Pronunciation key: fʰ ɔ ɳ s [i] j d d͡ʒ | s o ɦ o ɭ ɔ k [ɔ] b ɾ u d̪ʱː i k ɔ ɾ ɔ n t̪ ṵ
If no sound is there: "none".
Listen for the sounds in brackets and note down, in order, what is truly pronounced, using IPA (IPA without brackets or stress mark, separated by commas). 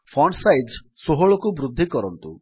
a, u